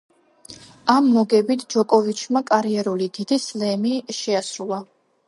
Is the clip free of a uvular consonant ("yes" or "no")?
yes